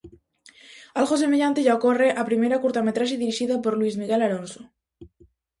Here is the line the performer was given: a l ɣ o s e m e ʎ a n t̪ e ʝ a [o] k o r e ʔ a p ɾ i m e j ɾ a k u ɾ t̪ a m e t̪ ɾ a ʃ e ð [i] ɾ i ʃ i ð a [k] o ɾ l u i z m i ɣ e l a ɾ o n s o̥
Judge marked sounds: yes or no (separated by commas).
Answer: yes, yes, no